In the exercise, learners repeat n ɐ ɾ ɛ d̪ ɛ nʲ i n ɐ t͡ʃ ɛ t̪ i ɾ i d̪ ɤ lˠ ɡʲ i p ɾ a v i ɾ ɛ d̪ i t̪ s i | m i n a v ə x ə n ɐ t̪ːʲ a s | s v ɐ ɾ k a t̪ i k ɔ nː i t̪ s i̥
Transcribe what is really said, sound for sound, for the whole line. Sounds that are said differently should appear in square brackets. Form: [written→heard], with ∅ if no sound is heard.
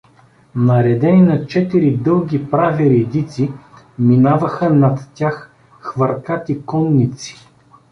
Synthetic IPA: n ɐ ɾ ɛ d̪ ɛ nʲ i n ɐ t͡ʃ ɛ t̪ i ɾ i d̪ ɤ lˠ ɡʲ i p ɾ a v i ɾ ɛ d̪ i t̪ s i | m i n a v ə x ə n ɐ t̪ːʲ a [s→x] | [s→x] v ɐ ɾ k a t̪ i k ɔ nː i t̪ s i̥

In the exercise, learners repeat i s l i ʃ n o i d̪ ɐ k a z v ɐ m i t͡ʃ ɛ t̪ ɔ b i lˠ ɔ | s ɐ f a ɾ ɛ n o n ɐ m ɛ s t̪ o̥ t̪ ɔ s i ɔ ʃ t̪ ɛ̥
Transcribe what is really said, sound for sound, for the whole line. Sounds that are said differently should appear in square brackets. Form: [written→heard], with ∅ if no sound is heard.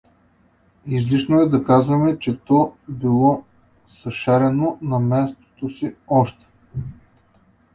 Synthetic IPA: i [s→z] l i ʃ n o [i→ɛ] d̪ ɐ k a z v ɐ m [i→ɛ] t͡ʃ ɛ t̪ ɔ b i lˠ ɔ | s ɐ [f→ʃ] a ɾ ɛ n o n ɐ m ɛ s t̪ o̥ t̪ [ɔ→o] s i ɔ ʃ t̪ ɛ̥

